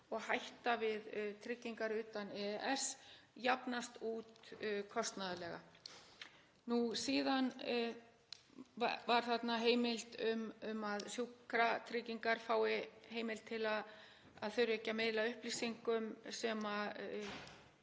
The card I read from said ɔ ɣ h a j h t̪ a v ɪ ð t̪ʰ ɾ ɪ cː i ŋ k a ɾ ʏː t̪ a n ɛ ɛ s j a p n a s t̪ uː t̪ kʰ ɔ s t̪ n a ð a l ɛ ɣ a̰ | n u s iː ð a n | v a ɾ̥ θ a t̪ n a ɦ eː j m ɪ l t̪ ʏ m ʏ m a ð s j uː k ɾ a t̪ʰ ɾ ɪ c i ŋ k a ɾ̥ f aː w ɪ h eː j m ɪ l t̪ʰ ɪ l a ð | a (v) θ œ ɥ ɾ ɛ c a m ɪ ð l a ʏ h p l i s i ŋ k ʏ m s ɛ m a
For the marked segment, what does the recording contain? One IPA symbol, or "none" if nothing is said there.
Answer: ð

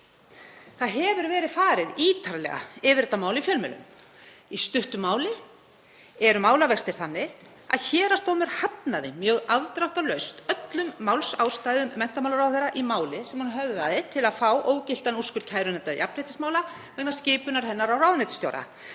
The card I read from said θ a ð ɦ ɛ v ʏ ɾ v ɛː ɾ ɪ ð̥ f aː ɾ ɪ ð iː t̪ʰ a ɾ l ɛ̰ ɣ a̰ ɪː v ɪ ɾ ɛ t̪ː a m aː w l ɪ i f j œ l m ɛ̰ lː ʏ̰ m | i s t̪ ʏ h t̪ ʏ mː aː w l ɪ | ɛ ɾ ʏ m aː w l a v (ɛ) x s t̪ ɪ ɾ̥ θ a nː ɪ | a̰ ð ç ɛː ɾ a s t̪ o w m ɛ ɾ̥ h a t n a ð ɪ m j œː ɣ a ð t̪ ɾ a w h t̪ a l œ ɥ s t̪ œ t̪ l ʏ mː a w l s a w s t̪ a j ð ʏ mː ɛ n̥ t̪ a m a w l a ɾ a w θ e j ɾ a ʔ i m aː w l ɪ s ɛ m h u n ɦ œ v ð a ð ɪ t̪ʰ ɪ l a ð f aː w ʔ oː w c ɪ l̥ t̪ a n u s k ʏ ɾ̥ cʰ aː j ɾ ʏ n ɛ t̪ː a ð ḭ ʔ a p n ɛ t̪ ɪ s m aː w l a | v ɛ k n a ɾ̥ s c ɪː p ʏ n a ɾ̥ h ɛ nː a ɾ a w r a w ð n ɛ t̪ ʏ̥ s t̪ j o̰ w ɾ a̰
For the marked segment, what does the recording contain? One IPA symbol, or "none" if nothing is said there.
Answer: ɛ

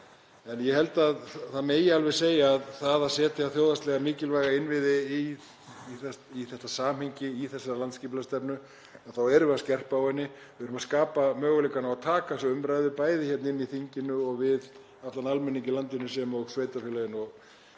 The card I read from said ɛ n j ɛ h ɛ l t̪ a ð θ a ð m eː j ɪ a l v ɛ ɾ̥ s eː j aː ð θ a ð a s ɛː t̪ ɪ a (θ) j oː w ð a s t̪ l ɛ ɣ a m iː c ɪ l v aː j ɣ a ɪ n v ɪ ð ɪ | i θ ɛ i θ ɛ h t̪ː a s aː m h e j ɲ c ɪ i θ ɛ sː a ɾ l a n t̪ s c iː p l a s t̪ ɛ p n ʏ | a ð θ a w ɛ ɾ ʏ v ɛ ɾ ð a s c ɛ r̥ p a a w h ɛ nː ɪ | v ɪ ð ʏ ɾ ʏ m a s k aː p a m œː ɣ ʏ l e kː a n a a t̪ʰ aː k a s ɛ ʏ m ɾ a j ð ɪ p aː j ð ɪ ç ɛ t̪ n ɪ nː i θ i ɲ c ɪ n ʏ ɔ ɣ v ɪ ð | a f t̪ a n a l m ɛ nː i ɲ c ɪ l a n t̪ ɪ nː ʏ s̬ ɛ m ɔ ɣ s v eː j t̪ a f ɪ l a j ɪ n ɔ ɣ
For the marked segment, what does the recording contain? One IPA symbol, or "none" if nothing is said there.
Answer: θ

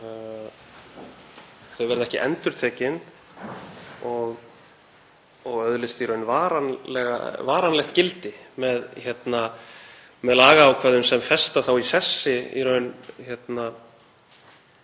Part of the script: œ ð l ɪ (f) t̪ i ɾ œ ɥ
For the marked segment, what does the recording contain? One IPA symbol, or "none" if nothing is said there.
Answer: s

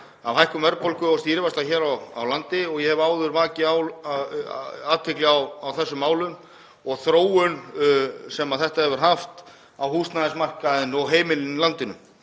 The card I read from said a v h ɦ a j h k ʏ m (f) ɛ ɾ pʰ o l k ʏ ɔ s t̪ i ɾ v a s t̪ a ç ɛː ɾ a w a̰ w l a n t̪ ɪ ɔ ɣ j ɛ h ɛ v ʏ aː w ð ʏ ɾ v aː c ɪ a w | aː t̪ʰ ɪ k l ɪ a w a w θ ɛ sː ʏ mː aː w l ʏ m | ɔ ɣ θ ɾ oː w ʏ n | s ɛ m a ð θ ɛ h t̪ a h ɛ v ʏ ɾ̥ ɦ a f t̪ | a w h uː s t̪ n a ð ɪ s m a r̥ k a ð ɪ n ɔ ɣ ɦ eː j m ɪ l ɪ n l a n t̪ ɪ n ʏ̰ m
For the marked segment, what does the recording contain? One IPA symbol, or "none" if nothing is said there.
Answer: v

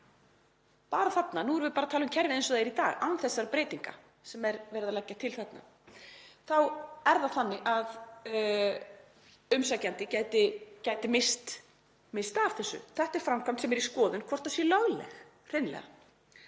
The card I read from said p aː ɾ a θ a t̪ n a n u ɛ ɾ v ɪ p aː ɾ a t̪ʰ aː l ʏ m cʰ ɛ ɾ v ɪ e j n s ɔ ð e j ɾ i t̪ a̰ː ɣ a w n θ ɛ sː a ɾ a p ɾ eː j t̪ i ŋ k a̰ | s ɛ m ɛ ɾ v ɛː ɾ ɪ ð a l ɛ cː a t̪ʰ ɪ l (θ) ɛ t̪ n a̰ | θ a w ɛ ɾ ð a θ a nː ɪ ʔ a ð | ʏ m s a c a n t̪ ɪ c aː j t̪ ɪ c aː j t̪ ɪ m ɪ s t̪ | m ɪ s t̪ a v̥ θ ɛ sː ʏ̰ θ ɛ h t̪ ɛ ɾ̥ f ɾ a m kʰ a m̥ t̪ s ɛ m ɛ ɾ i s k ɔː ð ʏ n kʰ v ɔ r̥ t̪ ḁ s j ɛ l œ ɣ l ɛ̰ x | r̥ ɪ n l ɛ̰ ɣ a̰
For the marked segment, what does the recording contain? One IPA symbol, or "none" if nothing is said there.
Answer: θ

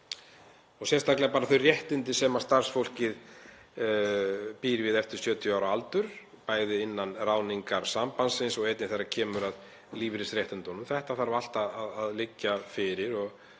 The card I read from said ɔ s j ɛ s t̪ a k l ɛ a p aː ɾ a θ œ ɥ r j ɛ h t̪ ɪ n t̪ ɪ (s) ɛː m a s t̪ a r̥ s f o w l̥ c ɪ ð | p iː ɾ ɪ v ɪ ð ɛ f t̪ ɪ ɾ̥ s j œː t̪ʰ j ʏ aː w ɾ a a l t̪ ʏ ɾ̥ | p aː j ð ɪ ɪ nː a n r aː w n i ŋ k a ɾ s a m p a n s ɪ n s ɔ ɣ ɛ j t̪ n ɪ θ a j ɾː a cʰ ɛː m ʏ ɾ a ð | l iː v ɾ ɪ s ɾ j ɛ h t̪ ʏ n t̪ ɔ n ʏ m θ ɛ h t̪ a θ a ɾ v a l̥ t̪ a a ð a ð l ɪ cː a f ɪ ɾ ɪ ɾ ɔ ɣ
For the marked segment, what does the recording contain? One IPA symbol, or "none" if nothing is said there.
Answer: s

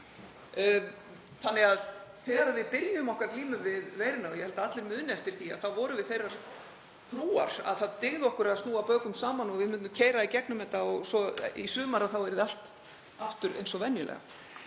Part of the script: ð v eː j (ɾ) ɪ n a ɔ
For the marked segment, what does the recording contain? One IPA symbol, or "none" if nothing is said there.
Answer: ɾ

